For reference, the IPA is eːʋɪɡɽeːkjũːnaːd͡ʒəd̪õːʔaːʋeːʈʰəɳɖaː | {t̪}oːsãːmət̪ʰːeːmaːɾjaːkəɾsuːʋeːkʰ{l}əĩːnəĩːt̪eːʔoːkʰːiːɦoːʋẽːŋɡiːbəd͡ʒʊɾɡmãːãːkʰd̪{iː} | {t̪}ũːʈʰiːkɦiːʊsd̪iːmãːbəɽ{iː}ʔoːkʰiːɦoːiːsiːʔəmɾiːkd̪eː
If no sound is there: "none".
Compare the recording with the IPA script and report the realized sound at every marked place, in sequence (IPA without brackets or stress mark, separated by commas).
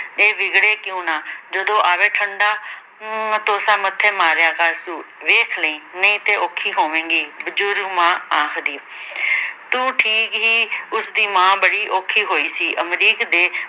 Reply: t̪, l, iː, t̪, iː